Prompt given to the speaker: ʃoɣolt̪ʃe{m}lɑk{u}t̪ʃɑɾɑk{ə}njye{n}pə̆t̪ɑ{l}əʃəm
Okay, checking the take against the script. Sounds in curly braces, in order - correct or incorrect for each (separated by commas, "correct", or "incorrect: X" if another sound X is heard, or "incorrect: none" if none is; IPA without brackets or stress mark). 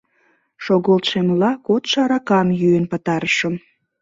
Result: correct, incorrect: o, incorrect: ɑ, correct, incorrect: ɾ